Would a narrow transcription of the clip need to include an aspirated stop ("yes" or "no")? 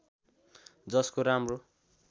no